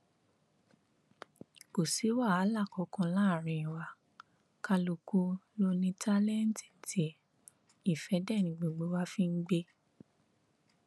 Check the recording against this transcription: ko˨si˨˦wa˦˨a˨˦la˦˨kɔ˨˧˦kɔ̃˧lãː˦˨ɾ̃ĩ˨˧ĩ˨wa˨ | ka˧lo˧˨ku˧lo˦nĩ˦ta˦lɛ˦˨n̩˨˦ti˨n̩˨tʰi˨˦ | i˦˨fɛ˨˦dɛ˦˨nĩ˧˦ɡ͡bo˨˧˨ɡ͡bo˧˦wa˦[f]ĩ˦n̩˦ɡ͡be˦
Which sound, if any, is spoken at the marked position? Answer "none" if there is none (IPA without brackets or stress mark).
f